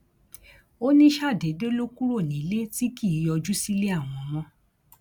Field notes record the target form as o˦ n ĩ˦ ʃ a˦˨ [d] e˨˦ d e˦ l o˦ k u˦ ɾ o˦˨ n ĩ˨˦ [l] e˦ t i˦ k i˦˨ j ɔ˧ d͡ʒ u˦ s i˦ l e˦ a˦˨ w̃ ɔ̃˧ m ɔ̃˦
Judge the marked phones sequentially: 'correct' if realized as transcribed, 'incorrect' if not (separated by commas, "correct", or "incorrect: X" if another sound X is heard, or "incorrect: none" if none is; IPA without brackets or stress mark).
correct, correct